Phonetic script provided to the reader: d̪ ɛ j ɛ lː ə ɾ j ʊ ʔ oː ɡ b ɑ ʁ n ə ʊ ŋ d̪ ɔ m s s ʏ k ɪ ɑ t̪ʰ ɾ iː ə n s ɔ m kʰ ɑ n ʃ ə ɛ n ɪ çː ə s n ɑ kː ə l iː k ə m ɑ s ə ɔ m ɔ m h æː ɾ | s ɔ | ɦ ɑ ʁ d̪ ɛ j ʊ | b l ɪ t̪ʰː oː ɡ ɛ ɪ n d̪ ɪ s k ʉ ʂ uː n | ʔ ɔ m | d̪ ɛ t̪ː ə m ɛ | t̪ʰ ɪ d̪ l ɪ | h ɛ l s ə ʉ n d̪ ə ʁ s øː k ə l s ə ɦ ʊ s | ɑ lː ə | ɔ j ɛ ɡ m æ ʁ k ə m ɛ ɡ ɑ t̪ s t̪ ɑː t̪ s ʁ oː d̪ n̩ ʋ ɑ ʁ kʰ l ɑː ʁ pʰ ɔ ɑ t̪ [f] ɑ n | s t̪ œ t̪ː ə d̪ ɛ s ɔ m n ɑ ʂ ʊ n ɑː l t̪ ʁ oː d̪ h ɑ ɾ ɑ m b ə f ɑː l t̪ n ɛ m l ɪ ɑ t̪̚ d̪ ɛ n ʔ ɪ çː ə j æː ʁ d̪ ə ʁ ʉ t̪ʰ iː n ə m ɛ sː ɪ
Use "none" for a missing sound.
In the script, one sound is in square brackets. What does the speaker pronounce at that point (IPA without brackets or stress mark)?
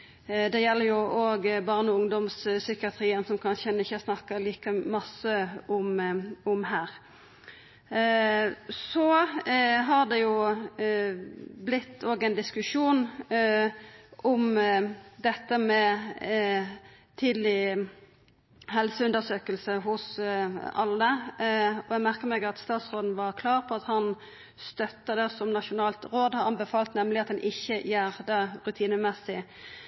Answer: h